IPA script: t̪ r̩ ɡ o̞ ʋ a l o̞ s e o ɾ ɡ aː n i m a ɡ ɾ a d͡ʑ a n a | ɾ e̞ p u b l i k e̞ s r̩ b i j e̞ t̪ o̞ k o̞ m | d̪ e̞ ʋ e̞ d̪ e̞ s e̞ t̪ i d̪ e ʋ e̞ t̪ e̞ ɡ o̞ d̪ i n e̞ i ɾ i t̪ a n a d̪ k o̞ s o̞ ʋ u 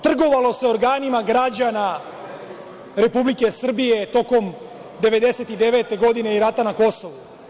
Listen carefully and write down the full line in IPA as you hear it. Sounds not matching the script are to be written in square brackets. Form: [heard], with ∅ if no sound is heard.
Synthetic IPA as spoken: t̪ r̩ ɡ o̞ ʋ a l o̞ s e o ɾ ɡ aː n i m a ɡ ɾ a d͡ʑ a n a | ɾ e̞ p u b l i k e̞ s r̩ b i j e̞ t̪ o̞ k o̞ m | d̪ e̞ ʋ e̞ d̪ e̞ s e̞ t̪ i d̪ e ʋ e̞ t̪ e̞ ɡ o̞ d̪ i n e̞ i ɾ [a] t̪ a n a [∅] k o̞ s o̞ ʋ u